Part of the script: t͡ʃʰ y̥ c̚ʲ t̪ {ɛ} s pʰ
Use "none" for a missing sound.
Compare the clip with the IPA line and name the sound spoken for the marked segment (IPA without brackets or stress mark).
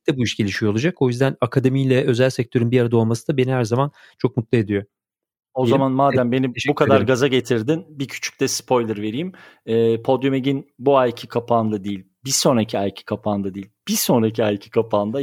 ɛ